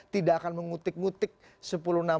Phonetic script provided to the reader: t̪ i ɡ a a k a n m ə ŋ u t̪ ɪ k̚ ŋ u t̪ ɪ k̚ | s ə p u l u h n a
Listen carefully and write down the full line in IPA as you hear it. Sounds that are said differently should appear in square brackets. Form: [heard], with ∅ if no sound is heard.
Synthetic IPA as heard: t̪ i [d] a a k a n m ə ŋ u t̪ ɪ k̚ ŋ u t̪ ɪ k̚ | s ə p u l u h n a